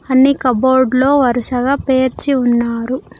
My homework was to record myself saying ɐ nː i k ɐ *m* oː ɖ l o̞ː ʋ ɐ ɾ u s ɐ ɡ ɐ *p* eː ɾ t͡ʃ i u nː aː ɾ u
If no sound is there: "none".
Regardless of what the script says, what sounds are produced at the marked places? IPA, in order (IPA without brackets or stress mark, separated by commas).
b, p